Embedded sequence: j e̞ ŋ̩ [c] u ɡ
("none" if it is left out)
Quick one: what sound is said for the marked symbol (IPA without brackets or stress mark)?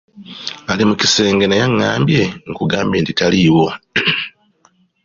k